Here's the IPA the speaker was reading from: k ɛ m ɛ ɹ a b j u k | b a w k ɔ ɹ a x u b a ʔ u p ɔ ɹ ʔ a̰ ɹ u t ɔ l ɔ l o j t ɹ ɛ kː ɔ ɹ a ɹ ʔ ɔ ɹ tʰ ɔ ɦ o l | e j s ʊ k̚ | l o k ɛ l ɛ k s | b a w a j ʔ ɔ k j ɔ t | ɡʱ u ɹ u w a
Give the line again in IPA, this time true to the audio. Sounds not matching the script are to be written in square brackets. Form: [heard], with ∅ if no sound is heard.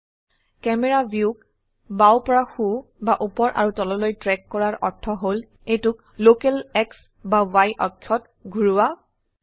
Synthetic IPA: k ɛ m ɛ ɹ a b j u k | b a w [p] ɔ ɹ a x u b a ʔ u p ɔ ɹ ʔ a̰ ɹ u t ɔ l ɔ l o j t ɹ ɛ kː ɔ ɹ a ɹ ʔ ɔ ɹ tʰ ɔ ɦ o l | e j [t] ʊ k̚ | l o k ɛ l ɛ k s | b a w a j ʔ ɔ [kʰ] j ɔ t | ɡʱ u ɹ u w a